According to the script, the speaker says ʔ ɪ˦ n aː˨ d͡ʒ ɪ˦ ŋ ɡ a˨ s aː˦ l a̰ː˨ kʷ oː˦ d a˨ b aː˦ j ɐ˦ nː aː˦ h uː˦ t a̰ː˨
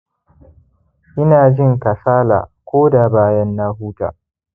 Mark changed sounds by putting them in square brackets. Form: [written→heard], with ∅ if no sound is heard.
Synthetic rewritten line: ʔ ɪ˦ n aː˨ d͡ʒ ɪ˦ ŋ [ɡ→k] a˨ s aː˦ l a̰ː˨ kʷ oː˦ d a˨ b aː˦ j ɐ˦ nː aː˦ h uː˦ t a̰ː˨